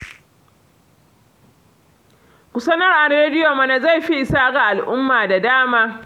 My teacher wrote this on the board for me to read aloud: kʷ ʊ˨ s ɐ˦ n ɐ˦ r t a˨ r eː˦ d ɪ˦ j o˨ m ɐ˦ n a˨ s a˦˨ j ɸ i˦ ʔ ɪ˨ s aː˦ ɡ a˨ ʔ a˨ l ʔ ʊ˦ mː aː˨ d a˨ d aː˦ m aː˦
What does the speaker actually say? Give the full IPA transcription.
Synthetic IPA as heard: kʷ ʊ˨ s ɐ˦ n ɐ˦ r ʔ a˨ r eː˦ d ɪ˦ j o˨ m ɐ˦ n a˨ z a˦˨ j ɸ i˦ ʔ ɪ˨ s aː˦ ɡ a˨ ʔ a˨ l ʔ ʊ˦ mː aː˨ d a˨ d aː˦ m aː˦